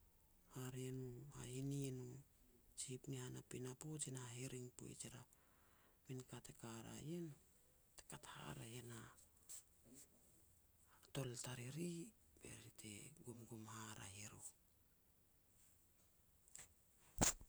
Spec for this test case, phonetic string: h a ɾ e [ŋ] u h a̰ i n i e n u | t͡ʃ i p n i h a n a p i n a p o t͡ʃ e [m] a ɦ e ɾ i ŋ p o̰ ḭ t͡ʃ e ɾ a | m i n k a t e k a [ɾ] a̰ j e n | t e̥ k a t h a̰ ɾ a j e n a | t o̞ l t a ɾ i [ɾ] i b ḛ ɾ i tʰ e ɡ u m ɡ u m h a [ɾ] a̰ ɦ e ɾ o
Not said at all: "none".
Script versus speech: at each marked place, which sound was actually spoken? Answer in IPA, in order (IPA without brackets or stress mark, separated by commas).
n, n, ɾ, ɾ, ɾ